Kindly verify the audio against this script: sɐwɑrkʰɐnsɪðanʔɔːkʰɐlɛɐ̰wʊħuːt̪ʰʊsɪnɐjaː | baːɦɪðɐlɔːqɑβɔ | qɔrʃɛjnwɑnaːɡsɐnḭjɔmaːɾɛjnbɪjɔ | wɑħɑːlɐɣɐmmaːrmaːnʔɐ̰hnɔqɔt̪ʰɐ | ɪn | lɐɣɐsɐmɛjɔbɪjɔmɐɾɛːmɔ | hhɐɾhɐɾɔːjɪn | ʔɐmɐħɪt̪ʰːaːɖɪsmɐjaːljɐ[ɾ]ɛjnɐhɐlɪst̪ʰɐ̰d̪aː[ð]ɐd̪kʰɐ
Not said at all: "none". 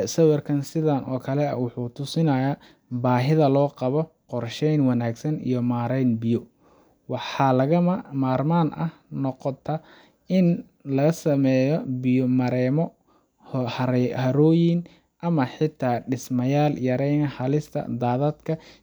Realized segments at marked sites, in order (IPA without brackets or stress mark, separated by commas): ɾ, ð